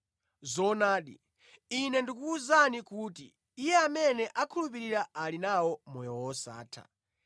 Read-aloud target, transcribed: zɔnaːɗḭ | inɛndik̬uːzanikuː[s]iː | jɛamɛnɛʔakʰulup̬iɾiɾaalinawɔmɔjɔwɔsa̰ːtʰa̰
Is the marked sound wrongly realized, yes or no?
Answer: yes